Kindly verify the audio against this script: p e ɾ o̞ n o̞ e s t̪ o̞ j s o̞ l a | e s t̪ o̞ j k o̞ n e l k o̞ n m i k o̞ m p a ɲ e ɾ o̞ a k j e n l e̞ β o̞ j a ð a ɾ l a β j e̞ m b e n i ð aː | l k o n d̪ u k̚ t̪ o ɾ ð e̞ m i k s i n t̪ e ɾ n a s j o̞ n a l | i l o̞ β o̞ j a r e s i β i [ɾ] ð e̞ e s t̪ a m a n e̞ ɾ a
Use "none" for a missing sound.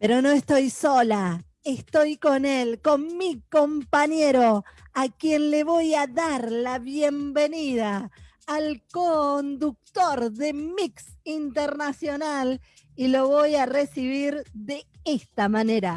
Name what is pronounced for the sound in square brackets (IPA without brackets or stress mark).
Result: ɾ